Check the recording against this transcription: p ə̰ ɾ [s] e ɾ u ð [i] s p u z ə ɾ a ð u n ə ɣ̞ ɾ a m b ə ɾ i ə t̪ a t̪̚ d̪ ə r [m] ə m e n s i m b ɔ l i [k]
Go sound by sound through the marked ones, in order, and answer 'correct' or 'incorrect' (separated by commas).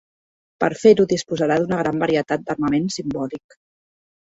incorrect, correct, correct, correct